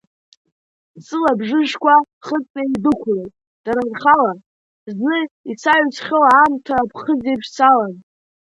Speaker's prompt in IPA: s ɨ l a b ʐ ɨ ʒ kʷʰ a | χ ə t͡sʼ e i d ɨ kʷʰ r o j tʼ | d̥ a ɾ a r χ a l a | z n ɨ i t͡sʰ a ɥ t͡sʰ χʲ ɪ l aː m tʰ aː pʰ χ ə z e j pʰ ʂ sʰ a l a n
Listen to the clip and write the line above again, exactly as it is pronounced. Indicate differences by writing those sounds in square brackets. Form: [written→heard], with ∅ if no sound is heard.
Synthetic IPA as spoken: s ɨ l a b ʐ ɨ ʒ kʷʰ a | χ ə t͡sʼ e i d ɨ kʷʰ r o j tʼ | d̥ a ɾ a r χ a l a | z n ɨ i t͡sʰ a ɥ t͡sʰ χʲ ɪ l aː m tʰ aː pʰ χ ə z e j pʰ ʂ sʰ a l a n